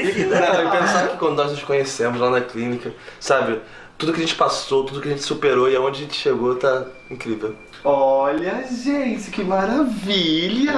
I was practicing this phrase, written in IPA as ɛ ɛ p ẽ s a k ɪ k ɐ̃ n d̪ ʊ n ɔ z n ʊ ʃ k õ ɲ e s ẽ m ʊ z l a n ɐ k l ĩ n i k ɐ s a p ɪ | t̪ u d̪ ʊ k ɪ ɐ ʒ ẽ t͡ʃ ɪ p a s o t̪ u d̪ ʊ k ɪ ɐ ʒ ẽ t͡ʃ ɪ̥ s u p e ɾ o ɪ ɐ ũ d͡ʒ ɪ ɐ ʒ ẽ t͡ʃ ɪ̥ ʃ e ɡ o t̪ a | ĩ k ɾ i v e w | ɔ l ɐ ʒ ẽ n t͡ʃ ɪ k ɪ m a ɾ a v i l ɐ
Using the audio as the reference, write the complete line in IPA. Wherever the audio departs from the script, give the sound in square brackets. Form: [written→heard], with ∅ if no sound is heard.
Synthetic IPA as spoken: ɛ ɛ p ẽ s a k ɪ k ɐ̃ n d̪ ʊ n ɔ z n ʊ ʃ k õ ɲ e s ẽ m ʊ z l a n ɐ k l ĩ n i k ɐ s a [p→b] ɪ | t̪ u d̪ ʊ k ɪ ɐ ʒ ẽ t͡ʃ ɪ p a s o t̪ u d̪ ʊ k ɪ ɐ ʒ ẽ t͡ʃ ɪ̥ s u p e ɾ o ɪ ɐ [ũ→õ] d͡ʒ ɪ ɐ ʒ ẽ t͡ʃ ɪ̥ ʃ e ɡ o t̪ a | ĩ k ɾ i v e w | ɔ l ɐ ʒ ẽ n t͡ʃ ɪ k ɪ m a ɾ a v i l ɐ